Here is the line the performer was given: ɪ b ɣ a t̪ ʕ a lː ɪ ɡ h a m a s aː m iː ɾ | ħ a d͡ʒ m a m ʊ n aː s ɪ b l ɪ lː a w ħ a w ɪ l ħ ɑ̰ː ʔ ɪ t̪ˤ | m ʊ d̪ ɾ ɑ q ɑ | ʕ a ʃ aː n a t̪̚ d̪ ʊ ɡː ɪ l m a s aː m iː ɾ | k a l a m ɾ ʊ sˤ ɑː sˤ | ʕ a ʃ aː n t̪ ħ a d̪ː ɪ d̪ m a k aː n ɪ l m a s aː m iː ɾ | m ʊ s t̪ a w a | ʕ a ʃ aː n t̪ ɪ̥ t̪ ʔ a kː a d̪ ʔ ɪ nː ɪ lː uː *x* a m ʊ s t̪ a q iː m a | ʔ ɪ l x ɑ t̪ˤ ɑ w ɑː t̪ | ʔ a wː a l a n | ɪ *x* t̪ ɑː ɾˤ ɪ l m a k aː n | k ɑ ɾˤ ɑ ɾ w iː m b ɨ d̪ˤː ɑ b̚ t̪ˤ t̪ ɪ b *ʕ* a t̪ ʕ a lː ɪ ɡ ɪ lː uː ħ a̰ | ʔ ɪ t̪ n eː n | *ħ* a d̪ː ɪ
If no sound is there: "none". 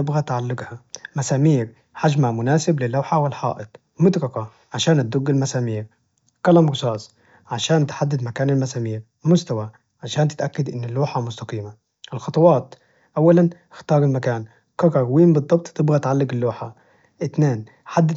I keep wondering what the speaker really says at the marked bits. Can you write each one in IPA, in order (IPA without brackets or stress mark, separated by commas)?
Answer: ħ, x, ɣ, ħ